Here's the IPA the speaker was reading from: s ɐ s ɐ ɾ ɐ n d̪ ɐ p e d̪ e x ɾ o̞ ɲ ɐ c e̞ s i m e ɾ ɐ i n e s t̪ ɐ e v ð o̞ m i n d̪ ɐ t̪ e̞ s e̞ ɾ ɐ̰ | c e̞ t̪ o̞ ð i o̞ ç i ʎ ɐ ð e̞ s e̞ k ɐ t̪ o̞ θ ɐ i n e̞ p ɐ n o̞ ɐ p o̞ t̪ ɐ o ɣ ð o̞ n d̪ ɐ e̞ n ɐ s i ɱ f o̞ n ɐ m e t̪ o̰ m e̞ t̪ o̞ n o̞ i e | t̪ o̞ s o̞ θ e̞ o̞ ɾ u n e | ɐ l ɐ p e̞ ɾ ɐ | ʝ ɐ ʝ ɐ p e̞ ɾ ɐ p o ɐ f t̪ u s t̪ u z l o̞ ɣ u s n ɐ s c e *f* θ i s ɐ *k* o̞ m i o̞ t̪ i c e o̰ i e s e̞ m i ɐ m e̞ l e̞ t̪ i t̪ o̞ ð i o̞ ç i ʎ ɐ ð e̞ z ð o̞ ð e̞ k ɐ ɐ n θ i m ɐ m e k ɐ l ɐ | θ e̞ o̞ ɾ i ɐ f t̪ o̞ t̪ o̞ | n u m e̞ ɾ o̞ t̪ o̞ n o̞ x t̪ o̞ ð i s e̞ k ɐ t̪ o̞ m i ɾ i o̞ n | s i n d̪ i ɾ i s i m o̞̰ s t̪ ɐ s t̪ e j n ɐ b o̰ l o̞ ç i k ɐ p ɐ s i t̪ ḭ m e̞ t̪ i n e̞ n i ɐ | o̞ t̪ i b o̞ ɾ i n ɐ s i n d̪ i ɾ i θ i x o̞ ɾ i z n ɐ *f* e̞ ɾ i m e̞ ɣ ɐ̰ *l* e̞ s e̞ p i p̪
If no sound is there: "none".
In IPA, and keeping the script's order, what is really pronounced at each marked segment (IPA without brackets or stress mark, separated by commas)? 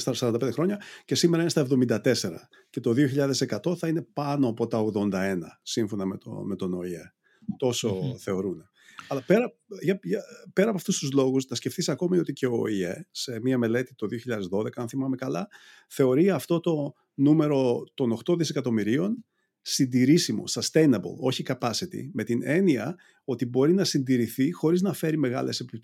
f, k, f, l